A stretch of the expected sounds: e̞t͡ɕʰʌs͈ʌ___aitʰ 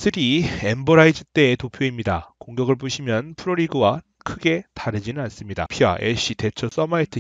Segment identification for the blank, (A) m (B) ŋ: A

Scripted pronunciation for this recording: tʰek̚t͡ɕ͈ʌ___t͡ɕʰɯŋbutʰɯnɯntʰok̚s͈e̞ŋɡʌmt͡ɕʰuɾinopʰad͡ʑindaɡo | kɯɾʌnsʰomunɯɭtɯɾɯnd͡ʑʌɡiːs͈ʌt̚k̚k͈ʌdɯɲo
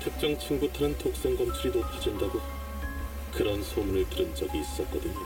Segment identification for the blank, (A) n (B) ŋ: B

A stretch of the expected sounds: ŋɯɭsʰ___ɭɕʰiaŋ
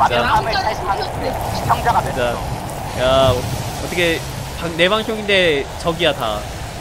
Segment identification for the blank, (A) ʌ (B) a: B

